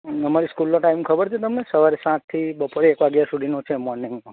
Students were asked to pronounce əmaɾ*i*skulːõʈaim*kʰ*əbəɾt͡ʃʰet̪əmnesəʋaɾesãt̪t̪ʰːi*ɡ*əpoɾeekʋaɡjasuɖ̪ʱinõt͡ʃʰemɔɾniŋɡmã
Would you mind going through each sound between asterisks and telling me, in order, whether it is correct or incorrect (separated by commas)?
correct, correct, incorrect